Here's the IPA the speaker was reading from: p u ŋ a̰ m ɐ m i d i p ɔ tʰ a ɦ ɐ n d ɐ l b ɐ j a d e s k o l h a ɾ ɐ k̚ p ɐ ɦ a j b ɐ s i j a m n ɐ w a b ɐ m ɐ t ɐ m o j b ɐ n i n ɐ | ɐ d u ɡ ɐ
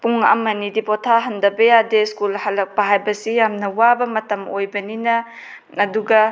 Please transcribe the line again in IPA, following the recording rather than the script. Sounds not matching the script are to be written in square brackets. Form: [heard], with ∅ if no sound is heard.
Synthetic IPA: p u ŋ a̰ m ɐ [n] i d i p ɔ tʰ a ɦ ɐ n d ɐ [∅] b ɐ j a d e s k [u] l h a [l] ɐ k̚ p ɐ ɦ a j b ɐ s i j a m n ɐ w a b ɐ m ɐ t ɐ m o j b ɐ n i n ɐ | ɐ d u ɡ ɐ